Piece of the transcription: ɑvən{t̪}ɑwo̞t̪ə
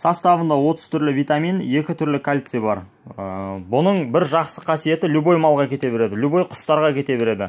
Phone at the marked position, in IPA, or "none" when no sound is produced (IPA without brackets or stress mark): d̪